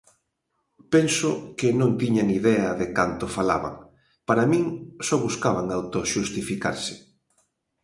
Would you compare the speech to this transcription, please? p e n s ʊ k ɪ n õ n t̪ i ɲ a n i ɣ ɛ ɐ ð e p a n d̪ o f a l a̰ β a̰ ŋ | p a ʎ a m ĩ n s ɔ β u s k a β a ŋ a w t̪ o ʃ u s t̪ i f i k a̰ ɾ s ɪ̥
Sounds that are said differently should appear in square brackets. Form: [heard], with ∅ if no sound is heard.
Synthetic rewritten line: p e n s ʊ k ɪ n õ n t̪ i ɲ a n i [ð] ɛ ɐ ð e [k] a n [t̪] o f a l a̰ β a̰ ŋ | p a [ɾ] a m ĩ [ŋ] s ɔ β u s k a β a ŋ a w t̪ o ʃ u s t̪ i f i k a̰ ɾ s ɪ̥